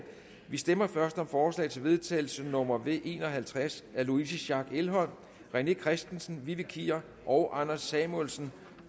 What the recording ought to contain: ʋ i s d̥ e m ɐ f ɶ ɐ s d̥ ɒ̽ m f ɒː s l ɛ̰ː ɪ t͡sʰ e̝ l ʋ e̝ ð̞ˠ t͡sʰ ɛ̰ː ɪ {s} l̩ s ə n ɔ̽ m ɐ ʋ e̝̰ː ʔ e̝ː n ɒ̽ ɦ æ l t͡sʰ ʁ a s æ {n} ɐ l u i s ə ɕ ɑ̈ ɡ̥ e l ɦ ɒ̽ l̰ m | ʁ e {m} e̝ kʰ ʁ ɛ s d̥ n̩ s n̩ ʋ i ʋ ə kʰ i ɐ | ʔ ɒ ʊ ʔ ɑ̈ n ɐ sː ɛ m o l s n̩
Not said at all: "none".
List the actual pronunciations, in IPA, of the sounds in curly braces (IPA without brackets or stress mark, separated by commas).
none, none, n